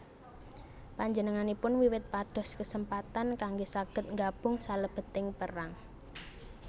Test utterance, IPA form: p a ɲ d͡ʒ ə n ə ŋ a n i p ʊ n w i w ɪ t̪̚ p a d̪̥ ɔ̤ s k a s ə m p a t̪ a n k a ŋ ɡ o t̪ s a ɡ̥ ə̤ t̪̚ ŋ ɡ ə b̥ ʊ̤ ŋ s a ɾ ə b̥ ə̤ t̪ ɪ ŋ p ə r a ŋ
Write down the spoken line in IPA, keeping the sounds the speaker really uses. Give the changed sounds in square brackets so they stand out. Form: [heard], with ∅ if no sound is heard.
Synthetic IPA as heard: p a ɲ d͡ʒ ə n ə ŋ a n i p ʊ n w i w ɪ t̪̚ p a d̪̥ ɔ̤ s k [ə] s ə m p a t̪ a n k a ŋ ɡ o [∅] s a ɡ̥ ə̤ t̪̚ ŋ ɡ [a] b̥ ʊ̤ ŋ s a [l] ə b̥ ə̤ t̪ ɪ ŋ p ə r a ŋ